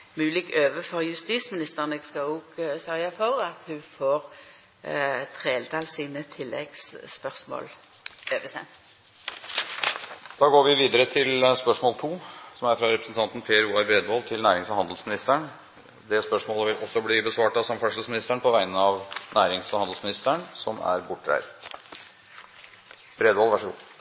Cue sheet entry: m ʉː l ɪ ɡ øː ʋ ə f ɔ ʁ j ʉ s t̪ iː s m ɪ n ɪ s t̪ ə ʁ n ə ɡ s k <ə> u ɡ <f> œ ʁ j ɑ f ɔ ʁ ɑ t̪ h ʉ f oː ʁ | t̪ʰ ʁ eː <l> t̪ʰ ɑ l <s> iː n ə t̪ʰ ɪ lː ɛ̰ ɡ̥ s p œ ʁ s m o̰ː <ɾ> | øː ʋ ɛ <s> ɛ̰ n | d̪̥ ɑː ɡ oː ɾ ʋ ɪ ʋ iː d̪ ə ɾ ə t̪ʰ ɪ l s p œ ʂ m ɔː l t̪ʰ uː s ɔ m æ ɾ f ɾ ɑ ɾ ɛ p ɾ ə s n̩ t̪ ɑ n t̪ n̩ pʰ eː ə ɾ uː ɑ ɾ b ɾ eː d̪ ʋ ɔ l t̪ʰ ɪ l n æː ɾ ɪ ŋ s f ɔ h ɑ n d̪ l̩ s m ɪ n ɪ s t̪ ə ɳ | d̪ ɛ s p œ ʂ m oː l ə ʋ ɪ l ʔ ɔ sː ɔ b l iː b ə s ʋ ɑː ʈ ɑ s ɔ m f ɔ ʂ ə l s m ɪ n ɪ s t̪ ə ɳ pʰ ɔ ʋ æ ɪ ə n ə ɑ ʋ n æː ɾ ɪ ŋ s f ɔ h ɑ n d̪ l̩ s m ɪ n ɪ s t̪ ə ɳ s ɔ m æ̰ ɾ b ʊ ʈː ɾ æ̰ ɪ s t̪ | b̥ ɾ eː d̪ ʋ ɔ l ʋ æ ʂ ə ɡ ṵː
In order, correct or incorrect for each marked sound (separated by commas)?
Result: incorrect, incorrect, correct, correct, incorrect, correct